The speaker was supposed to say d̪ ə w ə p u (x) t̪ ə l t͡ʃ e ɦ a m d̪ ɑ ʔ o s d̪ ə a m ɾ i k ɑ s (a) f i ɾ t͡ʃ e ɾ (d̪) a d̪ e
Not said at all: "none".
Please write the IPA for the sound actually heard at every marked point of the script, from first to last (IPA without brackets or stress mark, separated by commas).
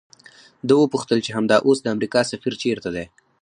x, a, t̪